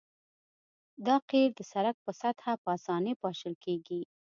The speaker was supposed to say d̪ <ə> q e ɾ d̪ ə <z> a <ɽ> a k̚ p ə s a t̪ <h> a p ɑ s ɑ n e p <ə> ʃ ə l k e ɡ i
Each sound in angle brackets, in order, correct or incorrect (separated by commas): incorrect, incorrect, incorrect, correct, incorrect